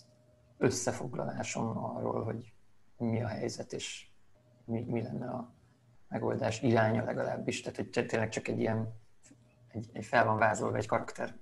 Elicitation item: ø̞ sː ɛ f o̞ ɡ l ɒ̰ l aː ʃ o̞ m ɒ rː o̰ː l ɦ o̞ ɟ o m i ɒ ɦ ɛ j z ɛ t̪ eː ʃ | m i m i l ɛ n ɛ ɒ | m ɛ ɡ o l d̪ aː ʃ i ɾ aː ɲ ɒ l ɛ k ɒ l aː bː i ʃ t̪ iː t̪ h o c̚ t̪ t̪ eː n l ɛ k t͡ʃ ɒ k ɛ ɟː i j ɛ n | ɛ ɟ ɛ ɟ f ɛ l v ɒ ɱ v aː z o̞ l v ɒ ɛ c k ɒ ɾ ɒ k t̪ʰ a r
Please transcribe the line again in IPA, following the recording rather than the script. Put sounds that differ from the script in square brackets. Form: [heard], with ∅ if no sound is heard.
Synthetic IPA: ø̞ sː ɛ f o̞ ɡ l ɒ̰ l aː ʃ o̞ m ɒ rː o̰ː l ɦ o̞ ɟ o m i ɒ ɦ ɛ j z ɛ t̪ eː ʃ | m i m i l ɛ [nː] ɛ ɒ | m ɛ ɡ o l d̪ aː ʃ i ɾ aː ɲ ɒ l ɛ [ɡ] ɒ l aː bː i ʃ t̪ [aː] t̪ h o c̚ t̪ t̪ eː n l ɛ k t͡ʃ ɒ k ɛ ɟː i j ɛ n | ɛ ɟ ɛ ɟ f ɛ l v ɒ ɱ v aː z o̞ l v ɒ ɛ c k ɒ ɾ ɒ k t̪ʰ [ɛ] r